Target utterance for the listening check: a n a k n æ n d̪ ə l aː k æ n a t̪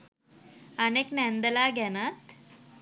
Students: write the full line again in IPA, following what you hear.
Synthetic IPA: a n e k n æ n d̪ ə l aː ɡ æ n a t̪